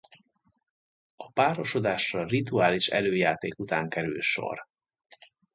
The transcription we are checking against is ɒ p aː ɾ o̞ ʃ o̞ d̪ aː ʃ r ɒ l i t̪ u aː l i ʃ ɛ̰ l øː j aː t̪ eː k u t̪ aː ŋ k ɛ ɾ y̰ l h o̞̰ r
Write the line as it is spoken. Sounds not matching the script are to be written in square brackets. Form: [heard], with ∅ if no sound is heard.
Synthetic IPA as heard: ɒ p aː ɾ o̞ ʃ o̞ d̪ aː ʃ r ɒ [r] i t̪ u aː l i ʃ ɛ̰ l øː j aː t̪ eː k u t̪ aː ŋ k ɛ ɾ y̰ l [ʃ] o̞̰ r